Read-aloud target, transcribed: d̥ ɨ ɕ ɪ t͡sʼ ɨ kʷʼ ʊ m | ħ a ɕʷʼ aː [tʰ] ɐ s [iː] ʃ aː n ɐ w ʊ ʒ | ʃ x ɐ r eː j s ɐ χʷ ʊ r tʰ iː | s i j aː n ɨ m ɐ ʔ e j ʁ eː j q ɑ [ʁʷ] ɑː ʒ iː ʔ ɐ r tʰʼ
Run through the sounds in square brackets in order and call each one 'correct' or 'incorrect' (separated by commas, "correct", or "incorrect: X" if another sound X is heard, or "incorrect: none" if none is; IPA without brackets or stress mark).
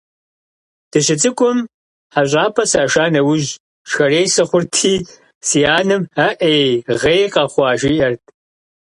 incorrect: pʰ, incorrect: aː, incorrect: χʷ